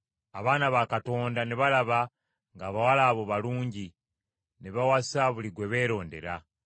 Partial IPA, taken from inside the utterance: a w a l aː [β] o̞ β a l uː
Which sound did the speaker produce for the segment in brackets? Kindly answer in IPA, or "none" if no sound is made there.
β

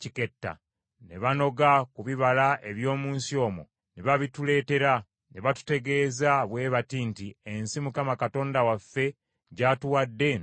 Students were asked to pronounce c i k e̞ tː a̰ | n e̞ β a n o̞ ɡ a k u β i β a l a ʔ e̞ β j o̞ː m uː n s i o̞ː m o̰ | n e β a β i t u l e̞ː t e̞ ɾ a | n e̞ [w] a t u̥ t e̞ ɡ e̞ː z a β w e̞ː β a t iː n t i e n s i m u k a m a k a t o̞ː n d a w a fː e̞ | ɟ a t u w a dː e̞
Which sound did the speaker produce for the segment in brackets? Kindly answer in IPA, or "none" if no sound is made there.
β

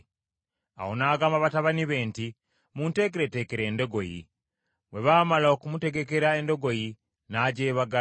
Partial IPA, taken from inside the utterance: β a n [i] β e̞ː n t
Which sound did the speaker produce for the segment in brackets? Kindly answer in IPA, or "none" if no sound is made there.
i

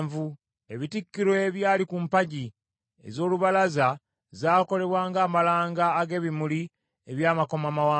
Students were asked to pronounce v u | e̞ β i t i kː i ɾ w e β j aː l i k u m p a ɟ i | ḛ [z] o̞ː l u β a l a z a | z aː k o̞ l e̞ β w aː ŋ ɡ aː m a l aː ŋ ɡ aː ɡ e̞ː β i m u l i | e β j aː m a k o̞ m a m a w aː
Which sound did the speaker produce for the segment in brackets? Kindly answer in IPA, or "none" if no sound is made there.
z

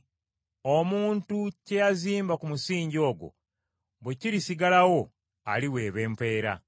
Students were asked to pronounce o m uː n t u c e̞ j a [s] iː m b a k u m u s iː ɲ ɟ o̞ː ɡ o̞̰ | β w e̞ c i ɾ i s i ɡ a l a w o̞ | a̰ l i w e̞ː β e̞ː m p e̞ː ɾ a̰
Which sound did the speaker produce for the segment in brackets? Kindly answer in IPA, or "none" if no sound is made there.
z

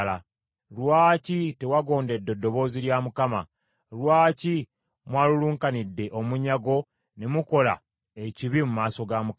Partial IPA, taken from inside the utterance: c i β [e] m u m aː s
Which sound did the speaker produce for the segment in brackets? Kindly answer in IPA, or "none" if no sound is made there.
i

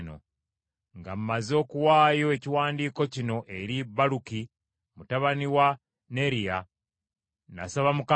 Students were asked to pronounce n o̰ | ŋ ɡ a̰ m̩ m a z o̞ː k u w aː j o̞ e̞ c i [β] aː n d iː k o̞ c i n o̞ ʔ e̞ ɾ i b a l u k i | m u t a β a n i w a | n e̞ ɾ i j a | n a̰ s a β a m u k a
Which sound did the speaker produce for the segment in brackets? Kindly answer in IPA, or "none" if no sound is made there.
w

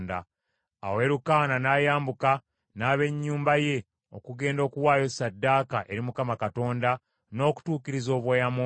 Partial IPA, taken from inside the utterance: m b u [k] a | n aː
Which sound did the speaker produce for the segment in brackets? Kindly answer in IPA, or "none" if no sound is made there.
k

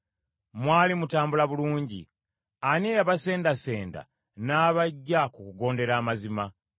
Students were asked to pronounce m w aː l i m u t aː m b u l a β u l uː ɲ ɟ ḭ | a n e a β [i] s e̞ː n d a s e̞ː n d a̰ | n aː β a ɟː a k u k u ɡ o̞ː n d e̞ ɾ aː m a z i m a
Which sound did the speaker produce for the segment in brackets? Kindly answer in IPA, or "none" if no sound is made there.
a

